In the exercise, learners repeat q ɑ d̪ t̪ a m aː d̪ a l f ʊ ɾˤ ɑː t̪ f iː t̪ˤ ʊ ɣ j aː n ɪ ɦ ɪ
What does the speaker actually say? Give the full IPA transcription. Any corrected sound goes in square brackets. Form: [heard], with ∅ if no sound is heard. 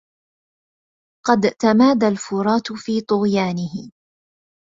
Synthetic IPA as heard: q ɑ d̪ t̪ a m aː d̪ a l f ʊ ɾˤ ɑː t̪ f iː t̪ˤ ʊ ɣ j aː n ɪ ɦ ɪ